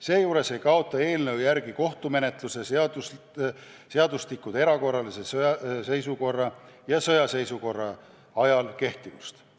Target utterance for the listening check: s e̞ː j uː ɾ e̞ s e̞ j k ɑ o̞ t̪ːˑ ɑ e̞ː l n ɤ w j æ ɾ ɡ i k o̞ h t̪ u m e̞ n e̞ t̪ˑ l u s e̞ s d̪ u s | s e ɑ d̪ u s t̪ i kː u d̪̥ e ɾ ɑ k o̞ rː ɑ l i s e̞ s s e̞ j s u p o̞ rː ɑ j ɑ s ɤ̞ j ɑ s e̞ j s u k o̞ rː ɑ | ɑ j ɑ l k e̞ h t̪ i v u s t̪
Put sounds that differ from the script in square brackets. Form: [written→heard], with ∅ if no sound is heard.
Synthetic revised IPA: s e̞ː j uː ɾ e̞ s e̞ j k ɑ o̞ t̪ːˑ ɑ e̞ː l n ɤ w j æ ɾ ɡ i k o̞ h t̪ u m e̞ n e̞ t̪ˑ l u s e̞ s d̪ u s | s e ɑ d̪ u s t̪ i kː u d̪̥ e ɾ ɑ k o̞ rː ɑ l i s e̞ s s e̞ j s u [p→k] o̞ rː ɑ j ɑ s ɤ̞ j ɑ s e̞ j s u k o̞ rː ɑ | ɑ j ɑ l k e̞ h t̪ i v u s t̪